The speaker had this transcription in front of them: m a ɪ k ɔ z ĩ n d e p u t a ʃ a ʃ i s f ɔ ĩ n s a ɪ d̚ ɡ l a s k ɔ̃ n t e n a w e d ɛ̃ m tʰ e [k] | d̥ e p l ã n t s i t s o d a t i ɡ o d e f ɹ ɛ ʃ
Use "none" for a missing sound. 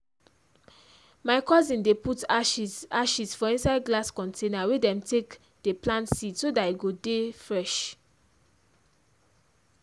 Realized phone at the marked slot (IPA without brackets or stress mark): k